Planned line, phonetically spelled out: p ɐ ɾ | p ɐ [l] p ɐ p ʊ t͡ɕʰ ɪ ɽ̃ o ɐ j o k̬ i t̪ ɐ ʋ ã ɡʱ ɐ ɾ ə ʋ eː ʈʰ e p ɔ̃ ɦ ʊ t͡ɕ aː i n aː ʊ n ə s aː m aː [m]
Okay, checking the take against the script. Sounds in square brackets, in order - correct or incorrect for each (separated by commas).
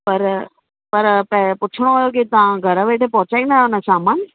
incorrect, incorrect